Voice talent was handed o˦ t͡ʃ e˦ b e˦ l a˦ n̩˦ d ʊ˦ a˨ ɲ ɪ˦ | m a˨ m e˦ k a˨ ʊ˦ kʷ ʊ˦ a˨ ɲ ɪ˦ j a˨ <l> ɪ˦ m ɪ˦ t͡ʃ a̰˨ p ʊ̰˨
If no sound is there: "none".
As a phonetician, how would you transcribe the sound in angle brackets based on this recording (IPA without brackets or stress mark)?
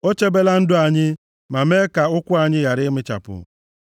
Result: ɾ